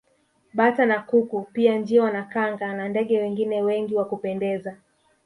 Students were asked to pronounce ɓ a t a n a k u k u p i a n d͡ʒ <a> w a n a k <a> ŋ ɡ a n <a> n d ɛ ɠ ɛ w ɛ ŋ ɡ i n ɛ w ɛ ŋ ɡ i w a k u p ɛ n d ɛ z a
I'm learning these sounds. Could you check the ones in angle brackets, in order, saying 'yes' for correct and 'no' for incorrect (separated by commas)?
no, yes, yes